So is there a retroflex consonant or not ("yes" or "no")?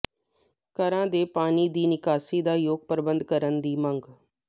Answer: no